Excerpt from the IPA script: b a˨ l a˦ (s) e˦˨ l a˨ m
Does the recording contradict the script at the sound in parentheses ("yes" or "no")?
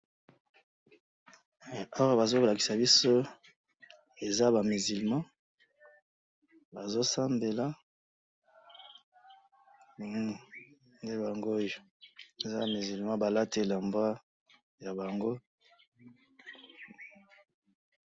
yes